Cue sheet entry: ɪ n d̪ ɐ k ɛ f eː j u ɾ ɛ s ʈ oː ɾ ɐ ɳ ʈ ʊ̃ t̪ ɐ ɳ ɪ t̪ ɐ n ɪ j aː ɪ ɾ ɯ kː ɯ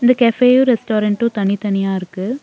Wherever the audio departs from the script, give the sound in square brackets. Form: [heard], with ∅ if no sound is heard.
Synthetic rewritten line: ɪ n d̪ ɐ k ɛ f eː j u ɾ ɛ s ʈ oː ɾ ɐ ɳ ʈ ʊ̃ t̪ ɐ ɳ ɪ t̪ ɐ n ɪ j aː ɪ ɾ ɯ kː ɯ

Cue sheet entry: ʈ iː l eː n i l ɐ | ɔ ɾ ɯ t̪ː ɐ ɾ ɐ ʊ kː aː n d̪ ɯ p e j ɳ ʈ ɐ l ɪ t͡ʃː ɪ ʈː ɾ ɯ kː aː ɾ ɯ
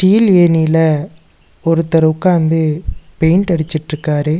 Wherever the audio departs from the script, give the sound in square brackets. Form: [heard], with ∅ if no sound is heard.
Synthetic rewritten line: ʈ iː l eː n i l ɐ | ɔ ɾ ɯ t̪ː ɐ ɾ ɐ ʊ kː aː n d̪ ɯ p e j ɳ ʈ ɐ [ɽ] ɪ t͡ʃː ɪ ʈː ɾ ɯ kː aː ɾ ɯ

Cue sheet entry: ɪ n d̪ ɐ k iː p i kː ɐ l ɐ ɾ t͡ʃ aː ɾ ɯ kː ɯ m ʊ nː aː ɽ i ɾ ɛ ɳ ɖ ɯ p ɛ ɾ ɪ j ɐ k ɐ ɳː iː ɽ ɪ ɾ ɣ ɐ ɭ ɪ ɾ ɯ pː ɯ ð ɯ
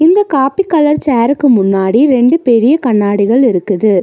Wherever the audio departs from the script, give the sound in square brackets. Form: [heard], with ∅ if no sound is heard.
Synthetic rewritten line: ɪ n d̪ ɐ k [aː] p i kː ɐ l ɐ ɾ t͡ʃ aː ɾ ɯ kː ɯ m ʊ nː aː ɽ i ɾ ɛ ɳ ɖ ɯ p ɛ ɾ ɪ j ɐ k ɐ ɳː [aː] ɽ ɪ [∅] ɣ ɐ ɭ ɪ ɾ ɯ [kː] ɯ ð ɯ

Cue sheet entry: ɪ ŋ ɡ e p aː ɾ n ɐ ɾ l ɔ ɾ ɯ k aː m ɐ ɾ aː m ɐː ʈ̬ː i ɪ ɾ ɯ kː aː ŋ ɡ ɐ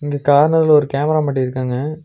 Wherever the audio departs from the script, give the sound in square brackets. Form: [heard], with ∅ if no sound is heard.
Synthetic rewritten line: ɪ ŋ ɡ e [k] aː ɾ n ɐ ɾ l ɔ ɾ ɯ k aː m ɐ ɾ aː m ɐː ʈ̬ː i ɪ ɾ ɯ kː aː ŋ ɡ ɐ

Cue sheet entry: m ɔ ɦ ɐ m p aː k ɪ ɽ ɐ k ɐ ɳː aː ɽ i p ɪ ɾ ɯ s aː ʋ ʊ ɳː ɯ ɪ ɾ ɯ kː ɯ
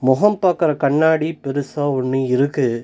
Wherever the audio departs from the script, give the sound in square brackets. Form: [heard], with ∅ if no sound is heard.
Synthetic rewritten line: m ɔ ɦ ɐ m p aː k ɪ [ɾ] ɐ k ɐ ɳː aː ɽ i p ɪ ɾ ɯ s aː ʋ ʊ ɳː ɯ ɪ ɾ ɯ kː ɯ

